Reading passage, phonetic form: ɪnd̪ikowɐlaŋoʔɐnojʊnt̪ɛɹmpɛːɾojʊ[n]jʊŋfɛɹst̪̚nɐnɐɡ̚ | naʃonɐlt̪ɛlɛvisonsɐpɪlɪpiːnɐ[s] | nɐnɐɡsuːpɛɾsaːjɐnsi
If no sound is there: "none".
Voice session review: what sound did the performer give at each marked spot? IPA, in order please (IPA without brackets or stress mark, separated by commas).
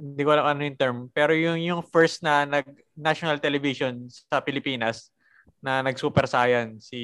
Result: ŋ, s